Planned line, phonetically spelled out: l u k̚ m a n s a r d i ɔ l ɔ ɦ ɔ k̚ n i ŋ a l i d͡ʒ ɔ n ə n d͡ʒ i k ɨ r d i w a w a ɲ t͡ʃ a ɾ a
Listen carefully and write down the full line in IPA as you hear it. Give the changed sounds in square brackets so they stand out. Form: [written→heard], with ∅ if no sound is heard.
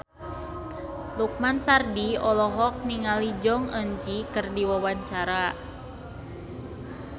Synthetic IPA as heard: l u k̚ m a n s a r d i ɔ l ɔ ɦ ɔ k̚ n i ŋ a l i d͡ʒ ɔ [n→ŋ] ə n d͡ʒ i k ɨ r d i w a w a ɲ t͡ʃ a ɾ a